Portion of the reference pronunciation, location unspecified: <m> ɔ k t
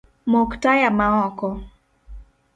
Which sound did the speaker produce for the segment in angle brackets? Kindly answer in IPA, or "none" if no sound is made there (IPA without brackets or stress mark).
m